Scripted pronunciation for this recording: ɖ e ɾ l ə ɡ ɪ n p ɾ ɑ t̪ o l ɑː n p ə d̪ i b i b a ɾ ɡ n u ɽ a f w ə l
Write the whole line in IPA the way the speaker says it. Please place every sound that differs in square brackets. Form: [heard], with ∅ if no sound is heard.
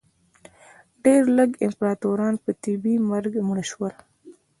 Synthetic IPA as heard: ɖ e ɾ l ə ɡ ɪ [m] p ɾ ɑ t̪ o [ɾ] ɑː n p ə [t̪] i b i [m] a ɾ ɡ [m] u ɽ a [ʃ] w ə l